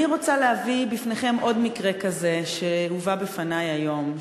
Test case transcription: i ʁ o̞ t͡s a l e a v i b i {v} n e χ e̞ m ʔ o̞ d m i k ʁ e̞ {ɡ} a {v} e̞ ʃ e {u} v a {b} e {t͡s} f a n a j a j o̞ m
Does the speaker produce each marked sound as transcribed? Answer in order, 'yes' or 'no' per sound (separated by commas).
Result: no, no, no, yes, yes, no